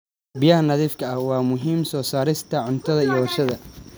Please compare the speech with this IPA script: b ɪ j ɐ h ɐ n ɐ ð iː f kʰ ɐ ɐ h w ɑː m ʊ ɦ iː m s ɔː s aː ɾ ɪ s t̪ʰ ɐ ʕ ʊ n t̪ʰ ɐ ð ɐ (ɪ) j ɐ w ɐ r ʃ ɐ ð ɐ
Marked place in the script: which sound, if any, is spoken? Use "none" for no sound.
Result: i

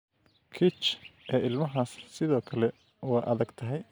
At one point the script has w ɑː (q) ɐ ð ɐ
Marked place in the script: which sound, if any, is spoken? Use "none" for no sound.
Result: ʔ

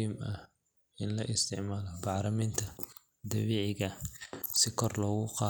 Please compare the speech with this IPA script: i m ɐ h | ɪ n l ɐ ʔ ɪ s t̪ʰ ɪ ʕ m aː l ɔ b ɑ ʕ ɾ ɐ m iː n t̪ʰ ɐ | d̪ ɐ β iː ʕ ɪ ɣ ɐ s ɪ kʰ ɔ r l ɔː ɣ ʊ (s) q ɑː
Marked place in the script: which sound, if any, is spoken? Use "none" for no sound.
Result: none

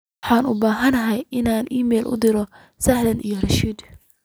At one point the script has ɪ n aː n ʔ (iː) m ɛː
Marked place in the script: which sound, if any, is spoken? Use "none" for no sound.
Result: iː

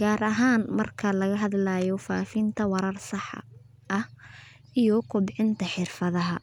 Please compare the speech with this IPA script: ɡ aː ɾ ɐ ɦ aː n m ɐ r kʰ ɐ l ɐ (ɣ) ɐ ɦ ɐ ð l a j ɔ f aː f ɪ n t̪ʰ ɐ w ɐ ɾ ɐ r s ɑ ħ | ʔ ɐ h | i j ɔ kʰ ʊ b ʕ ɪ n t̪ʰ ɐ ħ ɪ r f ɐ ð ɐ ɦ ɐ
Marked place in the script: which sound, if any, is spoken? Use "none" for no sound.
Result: ɣ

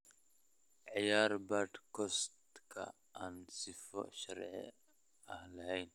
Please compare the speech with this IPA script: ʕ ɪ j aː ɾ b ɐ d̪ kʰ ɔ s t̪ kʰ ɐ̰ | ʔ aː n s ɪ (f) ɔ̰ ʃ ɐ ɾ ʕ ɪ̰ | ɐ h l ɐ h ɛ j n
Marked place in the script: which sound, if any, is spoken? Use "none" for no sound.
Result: f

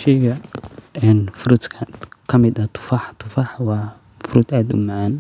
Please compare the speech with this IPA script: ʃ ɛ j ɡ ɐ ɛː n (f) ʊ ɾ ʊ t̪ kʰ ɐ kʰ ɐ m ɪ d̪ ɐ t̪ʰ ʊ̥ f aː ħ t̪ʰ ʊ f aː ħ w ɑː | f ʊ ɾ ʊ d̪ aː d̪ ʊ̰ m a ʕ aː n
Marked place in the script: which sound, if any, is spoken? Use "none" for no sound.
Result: f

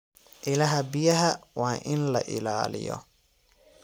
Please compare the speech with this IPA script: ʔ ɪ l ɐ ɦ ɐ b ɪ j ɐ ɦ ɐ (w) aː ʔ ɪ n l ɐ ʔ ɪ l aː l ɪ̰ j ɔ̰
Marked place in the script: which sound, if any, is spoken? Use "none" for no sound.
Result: w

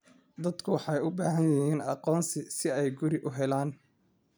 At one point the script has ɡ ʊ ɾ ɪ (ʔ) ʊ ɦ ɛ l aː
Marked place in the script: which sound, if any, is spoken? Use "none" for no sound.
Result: ʔ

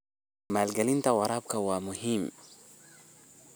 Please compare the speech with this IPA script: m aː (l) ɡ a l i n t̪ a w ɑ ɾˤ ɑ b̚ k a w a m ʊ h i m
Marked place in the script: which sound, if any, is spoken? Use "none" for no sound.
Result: l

